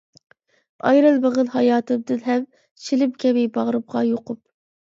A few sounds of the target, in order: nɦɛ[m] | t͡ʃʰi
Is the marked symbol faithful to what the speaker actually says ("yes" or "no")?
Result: yes